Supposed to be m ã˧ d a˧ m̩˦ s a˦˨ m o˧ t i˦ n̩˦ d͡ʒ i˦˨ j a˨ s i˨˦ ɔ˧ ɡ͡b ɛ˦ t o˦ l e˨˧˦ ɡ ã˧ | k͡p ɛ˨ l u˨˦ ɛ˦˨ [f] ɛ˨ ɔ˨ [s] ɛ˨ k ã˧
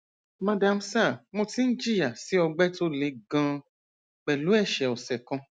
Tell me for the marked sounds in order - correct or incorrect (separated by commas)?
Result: incorrect, correct